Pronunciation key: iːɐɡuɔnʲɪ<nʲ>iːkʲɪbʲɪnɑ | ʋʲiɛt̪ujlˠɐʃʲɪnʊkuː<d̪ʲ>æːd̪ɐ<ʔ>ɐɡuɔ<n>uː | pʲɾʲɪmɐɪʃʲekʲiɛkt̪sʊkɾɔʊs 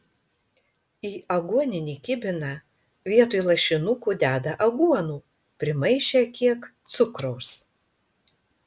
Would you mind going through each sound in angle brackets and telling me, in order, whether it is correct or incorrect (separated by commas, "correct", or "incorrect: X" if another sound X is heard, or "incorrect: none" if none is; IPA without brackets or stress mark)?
correct, correct, correct, correct